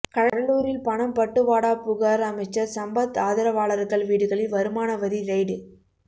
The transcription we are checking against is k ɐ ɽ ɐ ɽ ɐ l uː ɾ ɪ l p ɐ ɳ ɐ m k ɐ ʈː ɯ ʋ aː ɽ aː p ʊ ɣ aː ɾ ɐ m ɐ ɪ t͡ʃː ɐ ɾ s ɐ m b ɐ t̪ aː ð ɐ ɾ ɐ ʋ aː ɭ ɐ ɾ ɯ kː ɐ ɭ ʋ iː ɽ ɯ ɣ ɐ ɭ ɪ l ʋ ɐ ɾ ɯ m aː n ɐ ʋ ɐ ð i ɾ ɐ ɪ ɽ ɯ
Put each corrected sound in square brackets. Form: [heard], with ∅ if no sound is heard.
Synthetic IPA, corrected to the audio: k ɐ ɽ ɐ ɽ ɐ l uː ɾ ɪ l p ɐ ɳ ɐ m [p] ɐ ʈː ɯ ʋ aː ɽ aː p ʊ ɣ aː ɾ ɐ m ɐ ɪ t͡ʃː ɐ ɾ s ɐ m b ɐ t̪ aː ð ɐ ɾ ɐ ʋ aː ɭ ɐ ɾ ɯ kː ɐ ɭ ʋ iː ɽ ɯ ɣ ɐ ɭ ɪ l ʋ ɐ ɾ ɯ m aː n ɐ ʋ ɐ ð i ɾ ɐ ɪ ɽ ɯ